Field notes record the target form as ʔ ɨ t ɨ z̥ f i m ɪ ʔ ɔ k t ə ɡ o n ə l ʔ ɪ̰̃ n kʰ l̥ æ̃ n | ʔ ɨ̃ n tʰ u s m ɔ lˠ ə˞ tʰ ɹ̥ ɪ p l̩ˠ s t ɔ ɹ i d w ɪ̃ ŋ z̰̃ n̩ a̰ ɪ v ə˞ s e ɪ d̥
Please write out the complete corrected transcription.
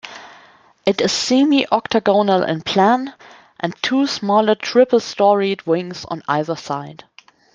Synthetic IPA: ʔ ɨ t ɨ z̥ s i m i ʔ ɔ k t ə ɡ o n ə l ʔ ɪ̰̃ n pʰ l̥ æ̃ n | ʔ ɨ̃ n tʰ u s m ɔ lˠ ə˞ tʰ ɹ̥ ɪ p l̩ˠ s t ɔ ɹ i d w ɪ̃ ŋ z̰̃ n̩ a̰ ɪ ð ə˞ s a ɪ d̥